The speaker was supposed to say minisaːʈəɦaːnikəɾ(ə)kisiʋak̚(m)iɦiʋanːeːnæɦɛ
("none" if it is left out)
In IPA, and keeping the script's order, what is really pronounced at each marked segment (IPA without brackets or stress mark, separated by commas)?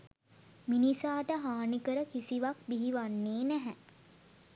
ə, b